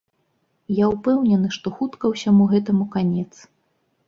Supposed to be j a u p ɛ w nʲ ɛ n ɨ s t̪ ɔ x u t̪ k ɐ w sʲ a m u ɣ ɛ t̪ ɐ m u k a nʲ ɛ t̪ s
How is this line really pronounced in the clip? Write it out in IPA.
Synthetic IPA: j a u p ɛ w nʲ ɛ n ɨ ʂ t̪ ɔ x u t̪ k ɐ w sʲ a m u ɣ ɛ t̪ ɐ m u k a nʲ ɛ t̪ s